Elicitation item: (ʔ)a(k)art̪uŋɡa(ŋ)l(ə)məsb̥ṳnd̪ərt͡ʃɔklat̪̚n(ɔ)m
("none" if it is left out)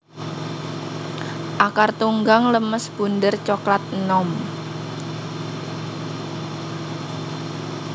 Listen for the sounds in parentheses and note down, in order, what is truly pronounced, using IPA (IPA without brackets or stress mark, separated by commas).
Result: ʔ, k, ŋ, ə, ɔ